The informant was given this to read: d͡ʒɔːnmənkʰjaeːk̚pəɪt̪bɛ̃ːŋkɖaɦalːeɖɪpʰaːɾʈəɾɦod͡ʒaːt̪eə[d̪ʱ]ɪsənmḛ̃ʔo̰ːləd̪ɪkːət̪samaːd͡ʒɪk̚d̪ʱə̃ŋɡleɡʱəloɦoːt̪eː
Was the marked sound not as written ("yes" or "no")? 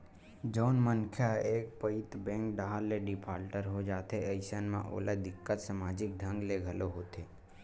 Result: yes